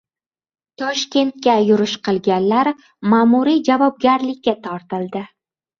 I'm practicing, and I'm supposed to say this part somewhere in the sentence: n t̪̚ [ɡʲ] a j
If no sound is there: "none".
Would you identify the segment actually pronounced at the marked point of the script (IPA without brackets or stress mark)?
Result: kʲ